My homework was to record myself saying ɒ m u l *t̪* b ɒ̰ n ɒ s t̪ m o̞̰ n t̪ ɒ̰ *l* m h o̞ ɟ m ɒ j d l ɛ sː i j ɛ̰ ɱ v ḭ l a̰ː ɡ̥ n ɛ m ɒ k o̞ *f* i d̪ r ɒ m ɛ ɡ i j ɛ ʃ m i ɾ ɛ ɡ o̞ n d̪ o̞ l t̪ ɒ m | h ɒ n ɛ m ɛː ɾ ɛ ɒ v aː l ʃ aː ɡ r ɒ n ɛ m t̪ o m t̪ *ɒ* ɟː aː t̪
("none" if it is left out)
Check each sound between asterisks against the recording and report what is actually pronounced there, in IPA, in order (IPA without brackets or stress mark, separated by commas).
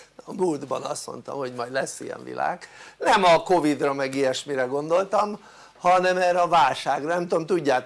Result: d̪, none, v, u